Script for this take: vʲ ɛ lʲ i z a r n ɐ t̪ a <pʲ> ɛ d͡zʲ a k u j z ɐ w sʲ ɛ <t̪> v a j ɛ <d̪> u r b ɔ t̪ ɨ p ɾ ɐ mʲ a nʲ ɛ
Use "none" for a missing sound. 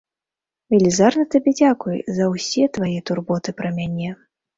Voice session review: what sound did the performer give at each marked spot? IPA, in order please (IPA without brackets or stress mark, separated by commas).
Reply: bʲ, t̪, t̪